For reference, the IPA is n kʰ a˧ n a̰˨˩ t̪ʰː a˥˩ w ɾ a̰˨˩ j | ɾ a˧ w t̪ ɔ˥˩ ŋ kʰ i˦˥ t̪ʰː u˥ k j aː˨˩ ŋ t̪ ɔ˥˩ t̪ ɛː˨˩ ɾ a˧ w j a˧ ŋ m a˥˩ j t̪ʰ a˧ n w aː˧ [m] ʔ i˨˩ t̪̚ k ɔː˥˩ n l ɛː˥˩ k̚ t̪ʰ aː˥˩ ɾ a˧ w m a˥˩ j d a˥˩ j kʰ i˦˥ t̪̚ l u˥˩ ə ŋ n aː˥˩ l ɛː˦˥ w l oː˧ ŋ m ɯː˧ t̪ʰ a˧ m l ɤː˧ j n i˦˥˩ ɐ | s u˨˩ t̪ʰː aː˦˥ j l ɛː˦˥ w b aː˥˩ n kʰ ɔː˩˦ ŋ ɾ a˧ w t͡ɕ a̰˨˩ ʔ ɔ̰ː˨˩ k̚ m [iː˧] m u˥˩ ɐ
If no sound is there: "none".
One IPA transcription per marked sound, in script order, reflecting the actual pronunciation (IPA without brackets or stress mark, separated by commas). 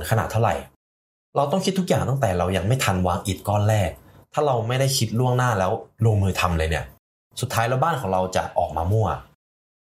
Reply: ŋ, aː˧